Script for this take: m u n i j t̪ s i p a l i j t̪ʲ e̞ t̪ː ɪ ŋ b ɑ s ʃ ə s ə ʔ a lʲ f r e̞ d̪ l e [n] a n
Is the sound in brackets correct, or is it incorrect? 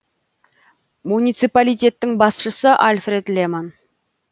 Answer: incorrect